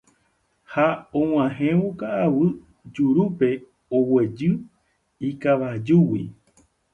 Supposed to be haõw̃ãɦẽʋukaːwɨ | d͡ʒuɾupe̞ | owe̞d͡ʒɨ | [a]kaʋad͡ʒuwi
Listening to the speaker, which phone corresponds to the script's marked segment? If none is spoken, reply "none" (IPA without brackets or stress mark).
i